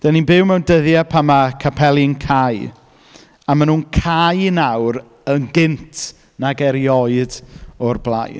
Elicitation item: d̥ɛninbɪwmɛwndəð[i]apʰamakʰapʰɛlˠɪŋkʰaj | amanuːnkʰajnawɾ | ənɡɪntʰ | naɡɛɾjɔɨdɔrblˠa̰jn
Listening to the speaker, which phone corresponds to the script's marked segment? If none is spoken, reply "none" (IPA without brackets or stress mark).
j